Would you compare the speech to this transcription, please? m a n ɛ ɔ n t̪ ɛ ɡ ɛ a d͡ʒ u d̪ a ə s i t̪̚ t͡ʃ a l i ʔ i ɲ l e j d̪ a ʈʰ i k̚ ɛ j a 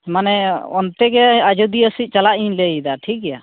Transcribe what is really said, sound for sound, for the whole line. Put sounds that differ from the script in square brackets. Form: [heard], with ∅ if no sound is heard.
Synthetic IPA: m a n ɛ ɔ n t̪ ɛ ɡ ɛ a d͡ʒ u d̪ [i] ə s i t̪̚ t͡ʃ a l [a] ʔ i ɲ l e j d̪ a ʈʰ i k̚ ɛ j a